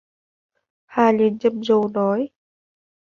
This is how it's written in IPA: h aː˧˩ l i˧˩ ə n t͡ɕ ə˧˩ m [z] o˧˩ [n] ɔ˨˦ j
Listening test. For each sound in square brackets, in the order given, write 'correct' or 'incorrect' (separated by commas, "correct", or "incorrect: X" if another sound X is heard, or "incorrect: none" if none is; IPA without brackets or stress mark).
correct, correct